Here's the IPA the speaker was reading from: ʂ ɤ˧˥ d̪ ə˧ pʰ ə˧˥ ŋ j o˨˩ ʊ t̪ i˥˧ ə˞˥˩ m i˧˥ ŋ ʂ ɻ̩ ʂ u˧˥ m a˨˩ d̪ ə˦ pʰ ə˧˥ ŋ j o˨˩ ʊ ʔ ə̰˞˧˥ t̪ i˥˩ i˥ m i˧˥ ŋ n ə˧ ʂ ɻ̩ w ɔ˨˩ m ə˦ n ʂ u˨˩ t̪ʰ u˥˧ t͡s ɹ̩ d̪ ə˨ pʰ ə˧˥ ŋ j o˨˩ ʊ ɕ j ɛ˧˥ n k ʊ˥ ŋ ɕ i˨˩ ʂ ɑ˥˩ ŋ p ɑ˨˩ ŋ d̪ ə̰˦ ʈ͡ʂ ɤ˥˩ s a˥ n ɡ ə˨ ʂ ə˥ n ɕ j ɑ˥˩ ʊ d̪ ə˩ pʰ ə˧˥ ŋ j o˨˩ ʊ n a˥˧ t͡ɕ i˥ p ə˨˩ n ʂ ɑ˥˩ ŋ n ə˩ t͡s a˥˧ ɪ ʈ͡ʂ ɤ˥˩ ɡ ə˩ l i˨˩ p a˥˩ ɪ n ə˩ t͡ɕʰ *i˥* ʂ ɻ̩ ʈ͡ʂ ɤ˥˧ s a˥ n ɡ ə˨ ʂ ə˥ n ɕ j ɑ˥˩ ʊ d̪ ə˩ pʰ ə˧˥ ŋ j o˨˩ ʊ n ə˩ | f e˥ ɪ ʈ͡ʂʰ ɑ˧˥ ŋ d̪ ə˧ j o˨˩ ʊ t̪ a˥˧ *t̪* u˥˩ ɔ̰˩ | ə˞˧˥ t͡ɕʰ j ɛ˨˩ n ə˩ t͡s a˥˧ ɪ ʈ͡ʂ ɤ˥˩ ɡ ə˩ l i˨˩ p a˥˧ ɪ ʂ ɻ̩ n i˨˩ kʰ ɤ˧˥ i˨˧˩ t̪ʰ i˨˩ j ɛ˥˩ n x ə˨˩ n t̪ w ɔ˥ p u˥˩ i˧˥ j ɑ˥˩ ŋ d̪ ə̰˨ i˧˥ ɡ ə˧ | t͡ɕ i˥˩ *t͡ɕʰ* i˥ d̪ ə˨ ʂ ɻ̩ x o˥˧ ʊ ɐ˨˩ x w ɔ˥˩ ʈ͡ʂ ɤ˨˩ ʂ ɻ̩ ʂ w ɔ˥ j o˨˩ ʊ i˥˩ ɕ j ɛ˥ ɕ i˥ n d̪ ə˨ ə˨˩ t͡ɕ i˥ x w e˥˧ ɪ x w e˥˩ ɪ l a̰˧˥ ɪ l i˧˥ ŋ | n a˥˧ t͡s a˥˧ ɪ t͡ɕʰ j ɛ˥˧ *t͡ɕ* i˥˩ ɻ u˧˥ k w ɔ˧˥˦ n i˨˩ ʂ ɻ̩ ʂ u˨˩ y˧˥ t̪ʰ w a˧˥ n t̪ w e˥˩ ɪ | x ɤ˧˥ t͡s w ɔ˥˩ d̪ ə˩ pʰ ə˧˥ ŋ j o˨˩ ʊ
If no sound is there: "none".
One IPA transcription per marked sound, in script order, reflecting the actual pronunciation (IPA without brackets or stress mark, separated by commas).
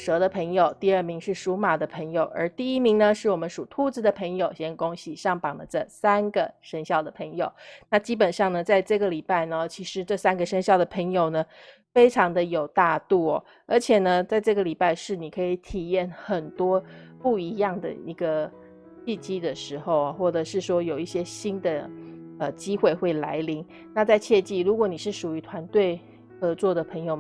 i˧˥, t̪, t͡ɕ, t͡ɕ